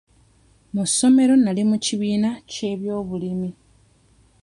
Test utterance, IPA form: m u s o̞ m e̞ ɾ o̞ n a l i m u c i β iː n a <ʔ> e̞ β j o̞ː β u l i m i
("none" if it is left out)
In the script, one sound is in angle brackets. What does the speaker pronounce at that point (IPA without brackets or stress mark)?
c